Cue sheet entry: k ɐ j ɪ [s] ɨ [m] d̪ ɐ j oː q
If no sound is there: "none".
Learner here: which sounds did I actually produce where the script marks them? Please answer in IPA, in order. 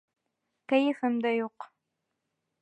f, m

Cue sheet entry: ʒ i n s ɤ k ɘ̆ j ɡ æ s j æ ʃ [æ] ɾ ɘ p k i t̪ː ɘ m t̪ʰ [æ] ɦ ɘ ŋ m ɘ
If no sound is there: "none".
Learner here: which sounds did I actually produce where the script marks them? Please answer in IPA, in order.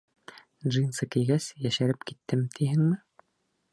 æ, i

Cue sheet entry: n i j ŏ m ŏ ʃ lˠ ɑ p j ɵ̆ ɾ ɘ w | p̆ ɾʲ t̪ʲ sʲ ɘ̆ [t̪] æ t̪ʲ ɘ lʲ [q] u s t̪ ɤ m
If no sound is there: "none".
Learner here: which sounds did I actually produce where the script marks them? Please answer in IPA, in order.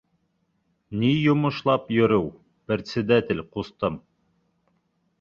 d̪, q

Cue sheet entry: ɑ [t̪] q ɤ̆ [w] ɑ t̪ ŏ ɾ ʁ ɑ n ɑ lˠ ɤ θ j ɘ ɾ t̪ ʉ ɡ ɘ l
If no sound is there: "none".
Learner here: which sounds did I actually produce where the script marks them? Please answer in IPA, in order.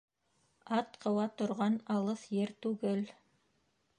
t̪, w

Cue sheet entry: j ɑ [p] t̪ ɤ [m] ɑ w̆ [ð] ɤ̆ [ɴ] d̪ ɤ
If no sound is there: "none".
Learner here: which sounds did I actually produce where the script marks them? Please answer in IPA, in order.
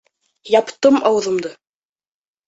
p, m, ð, m

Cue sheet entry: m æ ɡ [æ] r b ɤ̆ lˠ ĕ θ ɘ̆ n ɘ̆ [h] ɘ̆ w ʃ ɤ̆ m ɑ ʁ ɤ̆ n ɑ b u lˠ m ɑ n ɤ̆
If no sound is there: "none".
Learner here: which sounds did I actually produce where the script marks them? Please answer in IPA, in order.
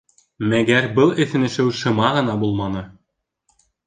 æ, ʃ

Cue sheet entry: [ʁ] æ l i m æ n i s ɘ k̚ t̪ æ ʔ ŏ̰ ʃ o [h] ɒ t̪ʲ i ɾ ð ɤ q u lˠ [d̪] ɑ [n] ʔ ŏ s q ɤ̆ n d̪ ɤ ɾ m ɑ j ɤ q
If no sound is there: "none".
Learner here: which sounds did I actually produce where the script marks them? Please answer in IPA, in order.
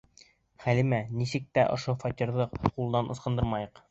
χ, f, d̪, n

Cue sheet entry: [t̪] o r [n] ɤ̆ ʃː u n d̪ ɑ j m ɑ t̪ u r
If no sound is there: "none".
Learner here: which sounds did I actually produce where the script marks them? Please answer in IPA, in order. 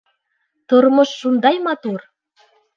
t̪, m

